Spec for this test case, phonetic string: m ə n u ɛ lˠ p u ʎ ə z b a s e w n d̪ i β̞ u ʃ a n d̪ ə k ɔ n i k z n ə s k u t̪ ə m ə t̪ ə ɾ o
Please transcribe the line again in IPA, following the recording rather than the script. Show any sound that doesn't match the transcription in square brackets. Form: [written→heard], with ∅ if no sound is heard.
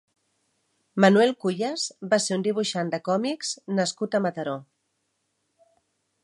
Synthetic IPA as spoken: m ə n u ɛ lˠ [p→k] u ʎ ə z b a s e [w→u] n d̪ i β̞ u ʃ a n d̪ ə k ɔ [n→m] i k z n ə s k u t̪ ə m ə t̪ ə ɾ o

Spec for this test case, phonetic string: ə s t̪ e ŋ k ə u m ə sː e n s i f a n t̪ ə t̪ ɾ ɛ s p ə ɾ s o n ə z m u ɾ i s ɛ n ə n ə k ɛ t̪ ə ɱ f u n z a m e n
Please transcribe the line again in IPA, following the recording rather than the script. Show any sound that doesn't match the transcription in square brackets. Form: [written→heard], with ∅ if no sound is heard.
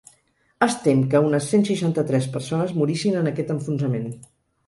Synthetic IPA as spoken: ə s t̪ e [ŋ→m] k ə u [m→n] ə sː e n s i [f→ʃ] a n t̪ ə t̪ ɾ ɛ s p ə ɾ s o n ə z m u ɾ i s [ɛ→i] n ə n ə k ɛ t̪ ə ɱ f u n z [a→ə] m e n

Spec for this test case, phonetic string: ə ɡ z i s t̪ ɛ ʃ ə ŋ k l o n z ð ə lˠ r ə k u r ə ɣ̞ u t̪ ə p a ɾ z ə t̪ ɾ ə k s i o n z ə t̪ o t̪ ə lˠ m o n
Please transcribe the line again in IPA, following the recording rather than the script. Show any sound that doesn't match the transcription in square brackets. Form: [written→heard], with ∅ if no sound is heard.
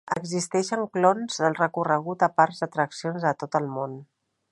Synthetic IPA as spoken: ə ɡ z i s t̪ ɛ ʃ ə ŋ k l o n z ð ə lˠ r ə k u r ə ɣ̞ u t̪ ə p a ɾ z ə t̪ ɾ ə k s i o n z ə t̪ o t̪ ə lˠ m o n

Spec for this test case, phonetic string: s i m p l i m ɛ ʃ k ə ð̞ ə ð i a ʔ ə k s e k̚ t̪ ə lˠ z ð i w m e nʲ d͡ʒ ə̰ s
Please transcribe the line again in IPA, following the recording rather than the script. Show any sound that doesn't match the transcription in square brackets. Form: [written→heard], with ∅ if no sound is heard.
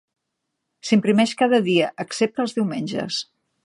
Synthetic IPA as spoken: s i m p [l→ɾ] i m ɛ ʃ k [ə→a] ð̞ ə ð i [a→ə] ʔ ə k s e [k̚→p̚] t̪ ə lˠ z ð i w m e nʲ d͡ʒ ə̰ s

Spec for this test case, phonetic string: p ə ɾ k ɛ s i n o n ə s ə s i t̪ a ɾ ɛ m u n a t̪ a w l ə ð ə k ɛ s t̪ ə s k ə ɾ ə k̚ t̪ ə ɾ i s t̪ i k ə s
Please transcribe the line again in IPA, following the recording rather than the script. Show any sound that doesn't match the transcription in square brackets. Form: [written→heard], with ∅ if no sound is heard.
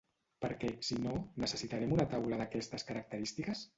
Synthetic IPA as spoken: p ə ɾ k ɛ s i n o n ə s ə s i t̪ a ɾ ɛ m u n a t̪ a w l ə ð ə k ɛ s t̪ ə s k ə ɾ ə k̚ t̪ ə ɾ i s t̪ i k ə s

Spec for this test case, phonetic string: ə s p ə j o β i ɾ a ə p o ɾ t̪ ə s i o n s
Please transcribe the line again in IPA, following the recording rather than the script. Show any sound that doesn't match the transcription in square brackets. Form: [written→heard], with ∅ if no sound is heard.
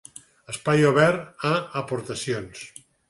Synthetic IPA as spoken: ə s p [ə→a] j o β [i→ɛ] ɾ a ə p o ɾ t̪ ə s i o n s

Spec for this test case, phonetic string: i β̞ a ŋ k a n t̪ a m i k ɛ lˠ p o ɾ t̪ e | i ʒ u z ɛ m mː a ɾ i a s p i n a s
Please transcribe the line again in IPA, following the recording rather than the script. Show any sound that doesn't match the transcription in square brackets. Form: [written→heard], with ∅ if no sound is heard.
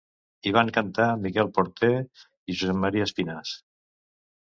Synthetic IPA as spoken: i β̞ a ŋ k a n t̪ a m i k ɛ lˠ p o ɾ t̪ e | i ʒ u z ɛ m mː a ɾ i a s p i n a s

